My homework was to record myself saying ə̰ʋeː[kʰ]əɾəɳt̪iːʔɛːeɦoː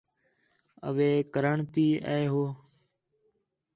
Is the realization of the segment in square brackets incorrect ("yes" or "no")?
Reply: yes